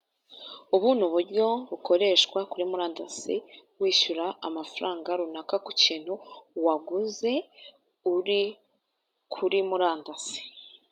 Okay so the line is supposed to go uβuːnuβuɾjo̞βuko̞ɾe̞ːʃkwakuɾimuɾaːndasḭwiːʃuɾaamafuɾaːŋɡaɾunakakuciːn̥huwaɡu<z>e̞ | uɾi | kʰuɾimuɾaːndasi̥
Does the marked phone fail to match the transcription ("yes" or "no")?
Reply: no